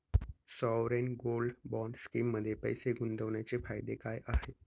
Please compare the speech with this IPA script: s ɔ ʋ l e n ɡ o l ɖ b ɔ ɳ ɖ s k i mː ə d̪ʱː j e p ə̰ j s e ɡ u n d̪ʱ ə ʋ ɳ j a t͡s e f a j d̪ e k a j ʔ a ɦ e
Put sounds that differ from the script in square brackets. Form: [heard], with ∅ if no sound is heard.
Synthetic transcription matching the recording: s ɔ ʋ [ɾ] e n ɡ o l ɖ b ɔ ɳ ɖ s k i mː ə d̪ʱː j e p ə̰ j s e ɡ u n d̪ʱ ə ʋ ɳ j a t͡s e f a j d̪ e k a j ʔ a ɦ e